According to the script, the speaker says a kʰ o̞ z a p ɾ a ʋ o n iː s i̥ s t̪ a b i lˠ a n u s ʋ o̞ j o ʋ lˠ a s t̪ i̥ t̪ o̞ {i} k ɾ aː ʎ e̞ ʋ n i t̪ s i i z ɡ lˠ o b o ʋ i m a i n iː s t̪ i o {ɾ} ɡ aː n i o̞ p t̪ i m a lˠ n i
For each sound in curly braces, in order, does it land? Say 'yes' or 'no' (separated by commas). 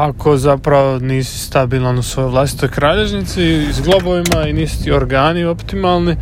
no, yes